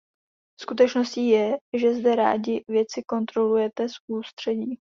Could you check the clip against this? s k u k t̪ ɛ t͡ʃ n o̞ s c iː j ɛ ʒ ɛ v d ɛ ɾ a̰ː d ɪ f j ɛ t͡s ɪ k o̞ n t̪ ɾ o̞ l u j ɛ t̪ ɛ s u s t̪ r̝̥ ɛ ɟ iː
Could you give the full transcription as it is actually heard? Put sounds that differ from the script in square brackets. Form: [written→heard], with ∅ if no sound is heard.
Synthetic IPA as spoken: s k u [k→∅] t̪ ɛ t͡ʃ n o̞ s c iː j ɛ ʒ ɛ [v→z] d ɛ ɾ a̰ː [d→ɟ] ɪ [f→v] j ɛ t͡s ɪ k o̞ n t̪ ɾ o̞ l u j ɛ t̪ ɛ s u s t̪ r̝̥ ɛ ɟ iː